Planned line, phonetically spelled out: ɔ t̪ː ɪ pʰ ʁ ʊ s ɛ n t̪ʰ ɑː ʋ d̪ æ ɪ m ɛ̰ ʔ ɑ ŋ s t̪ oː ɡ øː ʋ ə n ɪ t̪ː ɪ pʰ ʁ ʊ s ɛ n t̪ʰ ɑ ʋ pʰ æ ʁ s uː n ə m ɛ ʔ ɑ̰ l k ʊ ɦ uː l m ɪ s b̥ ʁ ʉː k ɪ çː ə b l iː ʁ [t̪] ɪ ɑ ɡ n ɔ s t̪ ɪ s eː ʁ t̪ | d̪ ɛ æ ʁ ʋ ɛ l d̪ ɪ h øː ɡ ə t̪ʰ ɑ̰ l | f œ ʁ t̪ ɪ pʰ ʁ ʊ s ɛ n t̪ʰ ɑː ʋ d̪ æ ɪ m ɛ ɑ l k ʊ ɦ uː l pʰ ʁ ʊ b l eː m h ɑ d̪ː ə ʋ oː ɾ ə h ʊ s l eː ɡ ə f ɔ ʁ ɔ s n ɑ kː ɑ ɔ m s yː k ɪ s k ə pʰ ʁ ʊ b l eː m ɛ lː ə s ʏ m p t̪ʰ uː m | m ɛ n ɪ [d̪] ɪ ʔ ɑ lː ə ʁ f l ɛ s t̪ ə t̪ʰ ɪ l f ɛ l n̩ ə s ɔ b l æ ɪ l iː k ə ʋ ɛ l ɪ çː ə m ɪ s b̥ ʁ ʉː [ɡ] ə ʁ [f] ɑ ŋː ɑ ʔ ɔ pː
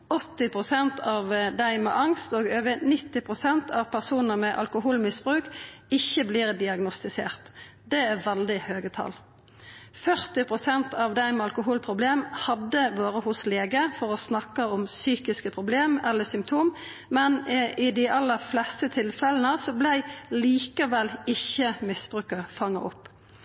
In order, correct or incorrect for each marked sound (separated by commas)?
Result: incorrect, correct, incorrect, correct